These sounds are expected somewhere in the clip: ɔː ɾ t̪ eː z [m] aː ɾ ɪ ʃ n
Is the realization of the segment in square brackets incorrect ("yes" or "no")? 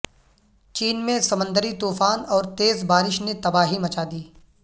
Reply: yes